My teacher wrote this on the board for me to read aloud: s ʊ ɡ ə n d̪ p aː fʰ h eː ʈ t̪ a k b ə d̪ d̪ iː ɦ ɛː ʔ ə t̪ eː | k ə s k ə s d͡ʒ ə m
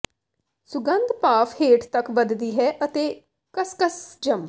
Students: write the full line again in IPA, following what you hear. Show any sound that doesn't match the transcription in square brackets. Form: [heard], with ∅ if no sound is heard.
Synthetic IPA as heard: s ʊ ɡ ə n d̪ p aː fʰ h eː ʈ t̪ [ə] k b ə d̪ d̪ iː ɦ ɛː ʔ ə t̪ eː | k ə s k ə s d͡ʒ ə m